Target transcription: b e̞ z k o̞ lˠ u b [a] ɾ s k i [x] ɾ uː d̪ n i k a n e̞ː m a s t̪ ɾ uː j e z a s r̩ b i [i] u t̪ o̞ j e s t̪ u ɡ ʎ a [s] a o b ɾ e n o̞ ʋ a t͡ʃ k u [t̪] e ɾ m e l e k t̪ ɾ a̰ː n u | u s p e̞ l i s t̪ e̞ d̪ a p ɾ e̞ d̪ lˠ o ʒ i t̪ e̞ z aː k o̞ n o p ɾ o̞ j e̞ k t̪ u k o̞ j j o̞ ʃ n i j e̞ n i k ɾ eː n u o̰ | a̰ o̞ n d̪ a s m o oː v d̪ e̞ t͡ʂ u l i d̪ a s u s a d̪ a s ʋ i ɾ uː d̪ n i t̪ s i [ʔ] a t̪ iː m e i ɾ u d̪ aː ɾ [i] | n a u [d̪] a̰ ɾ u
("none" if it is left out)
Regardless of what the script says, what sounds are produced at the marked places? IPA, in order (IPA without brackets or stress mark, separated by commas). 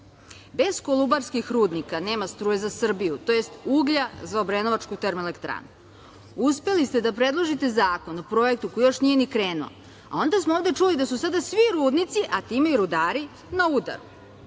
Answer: a, x, j, z, t̪, ʔ, i, d̪